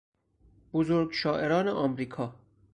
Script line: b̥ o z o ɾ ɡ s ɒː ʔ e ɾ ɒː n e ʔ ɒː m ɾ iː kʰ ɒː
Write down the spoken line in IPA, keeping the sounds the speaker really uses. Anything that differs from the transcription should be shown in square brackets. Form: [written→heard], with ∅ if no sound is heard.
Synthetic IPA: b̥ o z o ɾ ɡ [s→ʃ] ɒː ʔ e ɾ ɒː n e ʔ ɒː m ɾ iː kʰ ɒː